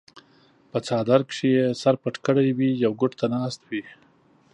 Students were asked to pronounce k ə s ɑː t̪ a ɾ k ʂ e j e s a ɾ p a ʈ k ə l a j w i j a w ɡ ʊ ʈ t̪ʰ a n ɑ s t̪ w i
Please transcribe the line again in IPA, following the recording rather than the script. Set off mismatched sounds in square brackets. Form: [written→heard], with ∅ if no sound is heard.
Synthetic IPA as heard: [k→p] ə [s→t͡s] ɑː [t̪→d̪] a ɾ k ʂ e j e s a ɾ p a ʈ k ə [l→ɽ] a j w i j a w ɡ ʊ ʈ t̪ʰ a n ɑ s t̪ w i